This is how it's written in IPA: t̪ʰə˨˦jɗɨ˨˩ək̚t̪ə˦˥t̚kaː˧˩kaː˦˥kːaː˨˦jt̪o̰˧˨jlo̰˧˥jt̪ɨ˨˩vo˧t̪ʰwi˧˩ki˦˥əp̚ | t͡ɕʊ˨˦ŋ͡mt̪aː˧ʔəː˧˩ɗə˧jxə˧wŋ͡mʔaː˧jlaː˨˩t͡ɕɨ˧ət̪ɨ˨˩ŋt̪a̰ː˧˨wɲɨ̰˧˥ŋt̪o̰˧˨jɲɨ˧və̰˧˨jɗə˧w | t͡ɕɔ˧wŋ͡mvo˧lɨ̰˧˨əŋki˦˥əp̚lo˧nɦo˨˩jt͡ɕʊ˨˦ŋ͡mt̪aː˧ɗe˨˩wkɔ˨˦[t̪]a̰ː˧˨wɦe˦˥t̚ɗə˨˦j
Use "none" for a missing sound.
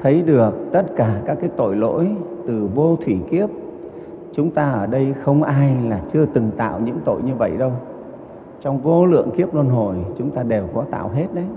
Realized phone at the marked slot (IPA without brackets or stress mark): t̪